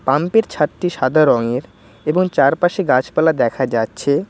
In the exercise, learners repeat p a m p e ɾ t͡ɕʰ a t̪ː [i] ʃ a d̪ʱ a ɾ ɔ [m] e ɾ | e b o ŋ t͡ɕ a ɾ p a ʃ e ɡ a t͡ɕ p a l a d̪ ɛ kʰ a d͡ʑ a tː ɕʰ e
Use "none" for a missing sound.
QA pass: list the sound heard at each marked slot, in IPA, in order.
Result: i, ŋ

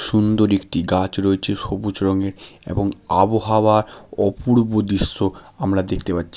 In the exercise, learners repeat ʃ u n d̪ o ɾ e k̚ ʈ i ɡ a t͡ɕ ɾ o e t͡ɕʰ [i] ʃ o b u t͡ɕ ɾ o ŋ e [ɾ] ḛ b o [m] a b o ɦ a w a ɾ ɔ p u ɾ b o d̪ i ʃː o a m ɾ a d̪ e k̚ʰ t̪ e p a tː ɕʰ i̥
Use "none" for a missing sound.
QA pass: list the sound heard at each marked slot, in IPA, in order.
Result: e, ɾ, ŋ

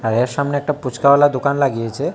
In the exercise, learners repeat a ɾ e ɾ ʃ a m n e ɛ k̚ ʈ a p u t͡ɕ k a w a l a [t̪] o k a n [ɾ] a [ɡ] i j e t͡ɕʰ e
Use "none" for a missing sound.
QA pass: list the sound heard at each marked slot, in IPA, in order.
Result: d̪, l, ɡ

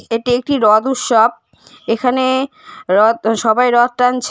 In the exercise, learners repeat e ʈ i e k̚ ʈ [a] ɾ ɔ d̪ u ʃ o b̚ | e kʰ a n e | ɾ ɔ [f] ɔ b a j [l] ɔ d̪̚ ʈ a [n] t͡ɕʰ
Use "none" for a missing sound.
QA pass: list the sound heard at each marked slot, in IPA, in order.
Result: i, ʃ, ɾ, n

